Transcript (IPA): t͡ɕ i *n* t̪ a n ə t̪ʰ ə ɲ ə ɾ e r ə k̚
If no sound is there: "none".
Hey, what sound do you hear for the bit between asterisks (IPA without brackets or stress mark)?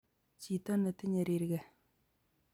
none